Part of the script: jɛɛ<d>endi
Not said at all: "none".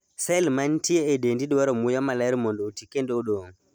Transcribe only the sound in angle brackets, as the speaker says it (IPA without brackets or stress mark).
d